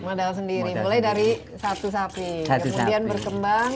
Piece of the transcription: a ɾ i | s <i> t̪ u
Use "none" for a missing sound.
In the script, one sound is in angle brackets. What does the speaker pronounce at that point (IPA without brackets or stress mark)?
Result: a